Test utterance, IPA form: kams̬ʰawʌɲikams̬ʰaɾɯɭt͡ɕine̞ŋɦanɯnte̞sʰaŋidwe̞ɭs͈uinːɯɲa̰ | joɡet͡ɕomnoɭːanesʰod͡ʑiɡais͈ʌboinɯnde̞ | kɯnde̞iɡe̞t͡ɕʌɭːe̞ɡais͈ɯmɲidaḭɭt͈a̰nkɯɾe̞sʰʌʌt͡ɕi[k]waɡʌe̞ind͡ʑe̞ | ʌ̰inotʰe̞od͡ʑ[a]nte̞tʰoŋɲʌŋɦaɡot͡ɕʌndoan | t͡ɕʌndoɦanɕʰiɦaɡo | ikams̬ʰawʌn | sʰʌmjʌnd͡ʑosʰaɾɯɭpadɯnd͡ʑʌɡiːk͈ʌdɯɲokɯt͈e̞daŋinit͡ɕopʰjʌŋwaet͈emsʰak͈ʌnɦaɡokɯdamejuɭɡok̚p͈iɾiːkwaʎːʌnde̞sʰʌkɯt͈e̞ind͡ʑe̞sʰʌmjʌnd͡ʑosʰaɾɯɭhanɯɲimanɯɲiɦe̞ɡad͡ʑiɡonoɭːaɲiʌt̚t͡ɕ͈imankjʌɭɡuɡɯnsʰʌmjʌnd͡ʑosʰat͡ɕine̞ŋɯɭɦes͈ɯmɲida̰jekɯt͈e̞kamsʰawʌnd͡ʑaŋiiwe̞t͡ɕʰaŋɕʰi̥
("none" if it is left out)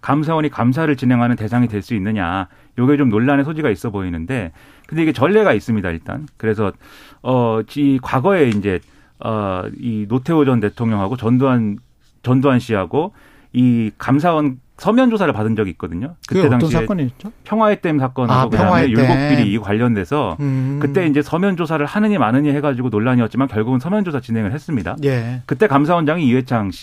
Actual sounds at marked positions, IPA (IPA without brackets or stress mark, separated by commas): k, ʌ